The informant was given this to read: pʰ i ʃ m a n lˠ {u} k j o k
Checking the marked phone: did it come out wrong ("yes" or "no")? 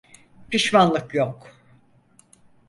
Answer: yes